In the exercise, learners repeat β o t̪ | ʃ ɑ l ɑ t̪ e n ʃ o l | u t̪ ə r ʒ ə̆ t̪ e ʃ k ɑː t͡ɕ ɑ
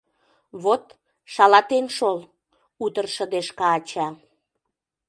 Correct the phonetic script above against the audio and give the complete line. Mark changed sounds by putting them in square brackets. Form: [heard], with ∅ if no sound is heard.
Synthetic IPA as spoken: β o t̪ | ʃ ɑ l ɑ t̪ e n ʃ o l | u t̪ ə r [ʃ] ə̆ [d̪] e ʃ k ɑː t͡ɕ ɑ

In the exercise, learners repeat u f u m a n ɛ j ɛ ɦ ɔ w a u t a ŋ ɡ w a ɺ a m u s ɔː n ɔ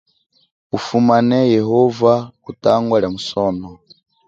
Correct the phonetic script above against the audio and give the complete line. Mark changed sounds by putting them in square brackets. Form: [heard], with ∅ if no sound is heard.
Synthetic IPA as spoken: u f u m a n ɛ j ɛ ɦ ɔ [v] a u t a ŋ ɡ w a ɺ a m u s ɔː n ɔ

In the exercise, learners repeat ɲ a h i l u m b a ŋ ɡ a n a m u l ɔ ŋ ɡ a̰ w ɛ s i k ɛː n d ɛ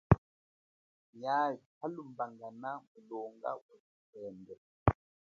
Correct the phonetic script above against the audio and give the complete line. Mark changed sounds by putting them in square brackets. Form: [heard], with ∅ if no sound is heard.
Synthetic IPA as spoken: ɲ a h [a] l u m b a ŋ ɡ a n a m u l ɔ ŋ ɡ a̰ w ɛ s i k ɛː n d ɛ

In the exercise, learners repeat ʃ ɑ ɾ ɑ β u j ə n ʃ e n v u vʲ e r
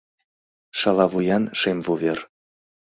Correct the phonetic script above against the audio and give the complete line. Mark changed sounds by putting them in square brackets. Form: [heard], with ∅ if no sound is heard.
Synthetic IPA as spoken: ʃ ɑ [l] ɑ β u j [ɑ] n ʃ e [m] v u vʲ e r

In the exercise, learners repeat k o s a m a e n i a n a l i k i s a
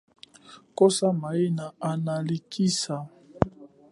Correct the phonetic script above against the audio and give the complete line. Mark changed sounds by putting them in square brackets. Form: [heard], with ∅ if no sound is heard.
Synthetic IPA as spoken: k o s a m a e n [a] a n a l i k i s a

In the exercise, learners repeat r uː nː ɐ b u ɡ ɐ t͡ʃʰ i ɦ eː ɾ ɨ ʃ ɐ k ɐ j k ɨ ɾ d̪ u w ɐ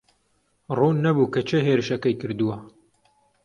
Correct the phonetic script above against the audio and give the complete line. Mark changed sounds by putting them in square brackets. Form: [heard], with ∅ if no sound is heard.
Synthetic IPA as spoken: r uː nː ɐ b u [k] ɐ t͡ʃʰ [e] ɦ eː ɾ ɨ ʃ ɐ k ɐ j k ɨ ɾ d̪ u w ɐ

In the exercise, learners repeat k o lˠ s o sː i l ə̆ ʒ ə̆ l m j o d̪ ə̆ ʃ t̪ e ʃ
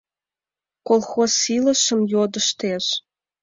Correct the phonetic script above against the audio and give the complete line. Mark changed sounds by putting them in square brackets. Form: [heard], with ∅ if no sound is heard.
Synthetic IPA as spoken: k o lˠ [x] o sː i l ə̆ [ʃ] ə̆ [∅] m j o d̪ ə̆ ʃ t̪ e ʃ

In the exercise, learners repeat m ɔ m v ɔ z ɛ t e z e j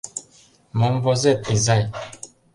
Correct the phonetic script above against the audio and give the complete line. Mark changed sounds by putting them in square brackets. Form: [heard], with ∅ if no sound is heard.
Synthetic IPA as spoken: m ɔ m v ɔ z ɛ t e z [a] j

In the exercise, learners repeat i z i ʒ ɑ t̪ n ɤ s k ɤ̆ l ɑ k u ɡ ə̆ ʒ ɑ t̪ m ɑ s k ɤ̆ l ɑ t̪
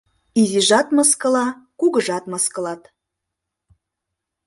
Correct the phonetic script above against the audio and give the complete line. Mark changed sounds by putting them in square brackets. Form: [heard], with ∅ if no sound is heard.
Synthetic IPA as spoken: i z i ʒ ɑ t̪ [m] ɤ s k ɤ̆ l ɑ k u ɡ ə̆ ʒ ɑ t̪ m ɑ s k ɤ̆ l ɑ t̪

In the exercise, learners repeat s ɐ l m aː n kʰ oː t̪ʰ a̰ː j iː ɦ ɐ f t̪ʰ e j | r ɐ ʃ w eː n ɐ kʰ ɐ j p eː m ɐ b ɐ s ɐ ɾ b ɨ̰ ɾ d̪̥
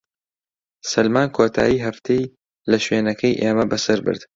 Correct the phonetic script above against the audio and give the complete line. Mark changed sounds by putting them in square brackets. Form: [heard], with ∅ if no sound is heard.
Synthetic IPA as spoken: s ɐ l m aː n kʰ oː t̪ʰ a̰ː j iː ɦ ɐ f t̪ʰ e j | [l] ɐ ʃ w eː n ɐ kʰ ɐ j [ʔ] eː m ɐ b ɐ s ɐ ɾ b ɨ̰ ɾ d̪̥

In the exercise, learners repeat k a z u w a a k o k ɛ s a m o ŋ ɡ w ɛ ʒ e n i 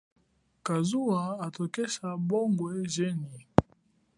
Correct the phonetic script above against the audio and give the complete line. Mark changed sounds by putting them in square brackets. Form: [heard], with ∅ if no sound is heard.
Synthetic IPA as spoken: k a z u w a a [t] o k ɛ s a [b] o ŋ ɡ w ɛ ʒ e n i

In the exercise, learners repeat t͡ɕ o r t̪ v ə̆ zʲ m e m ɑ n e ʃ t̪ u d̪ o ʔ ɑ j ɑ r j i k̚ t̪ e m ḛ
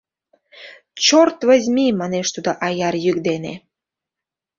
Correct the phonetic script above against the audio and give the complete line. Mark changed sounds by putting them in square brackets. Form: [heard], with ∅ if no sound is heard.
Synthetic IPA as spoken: t͡ɕ o r t̪ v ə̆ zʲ m [i] m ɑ n e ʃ t̪ u d̪ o ʔ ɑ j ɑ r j [y] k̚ [d̪] e [n] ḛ

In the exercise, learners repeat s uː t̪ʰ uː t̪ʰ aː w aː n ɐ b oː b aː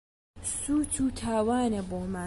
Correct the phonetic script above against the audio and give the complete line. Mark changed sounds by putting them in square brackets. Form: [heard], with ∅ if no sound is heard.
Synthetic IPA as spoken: s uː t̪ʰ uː t̪ʰ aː w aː n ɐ b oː [m] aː

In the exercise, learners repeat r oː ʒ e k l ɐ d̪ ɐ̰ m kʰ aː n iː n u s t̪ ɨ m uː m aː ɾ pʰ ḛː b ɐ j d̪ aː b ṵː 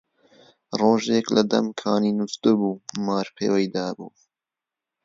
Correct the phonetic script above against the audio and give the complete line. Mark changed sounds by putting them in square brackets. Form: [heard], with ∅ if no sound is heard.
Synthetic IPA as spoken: r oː ʒ e k l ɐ d̪ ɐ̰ m kʰ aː n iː n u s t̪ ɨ [b] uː m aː ɾ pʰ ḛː [w] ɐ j d̪ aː b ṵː

